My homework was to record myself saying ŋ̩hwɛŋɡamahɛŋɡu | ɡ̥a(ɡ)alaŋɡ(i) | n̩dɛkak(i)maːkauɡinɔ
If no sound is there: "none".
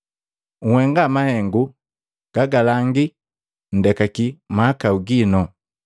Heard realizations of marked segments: ɡ, i, i

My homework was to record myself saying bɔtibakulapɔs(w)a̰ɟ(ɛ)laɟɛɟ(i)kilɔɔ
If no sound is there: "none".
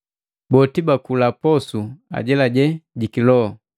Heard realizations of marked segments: u, ɛ, i

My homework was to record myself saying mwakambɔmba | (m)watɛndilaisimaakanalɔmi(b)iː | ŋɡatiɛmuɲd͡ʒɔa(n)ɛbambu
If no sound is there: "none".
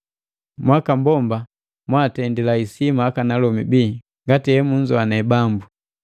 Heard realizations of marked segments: m, b, n

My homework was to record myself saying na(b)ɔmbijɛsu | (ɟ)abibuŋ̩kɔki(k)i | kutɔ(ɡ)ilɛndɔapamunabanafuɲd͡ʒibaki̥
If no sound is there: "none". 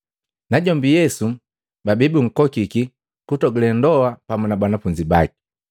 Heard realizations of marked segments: ɟ, b, k, ɡ

